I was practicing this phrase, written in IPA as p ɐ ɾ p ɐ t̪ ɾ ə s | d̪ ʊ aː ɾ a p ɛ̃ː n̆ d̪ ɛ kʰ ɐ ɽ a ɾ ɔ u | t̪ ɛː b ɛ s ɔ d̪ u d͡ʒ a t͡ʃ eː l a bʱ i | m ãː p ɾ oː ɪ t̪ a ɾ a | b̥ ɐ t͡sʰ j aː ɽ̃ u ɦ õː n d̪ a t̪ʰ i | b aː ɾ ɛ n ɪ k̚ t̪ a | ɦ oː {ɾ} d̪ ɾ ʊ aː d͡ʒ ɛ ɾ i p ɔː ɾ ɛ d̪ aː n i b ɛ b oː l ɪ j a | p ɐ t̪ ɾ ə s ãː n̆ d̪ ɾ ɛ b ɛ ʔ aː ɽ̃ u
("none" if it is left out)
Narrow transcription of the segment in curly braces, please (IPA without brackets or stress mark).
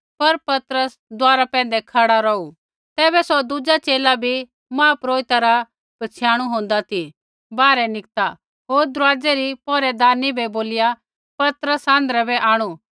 ɾ